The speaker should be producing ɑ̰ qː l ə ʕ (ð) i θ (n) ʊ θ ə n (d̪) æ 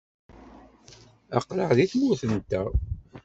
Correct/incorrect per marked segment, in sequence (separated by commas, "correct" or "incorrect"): correct, incorrect, incorrect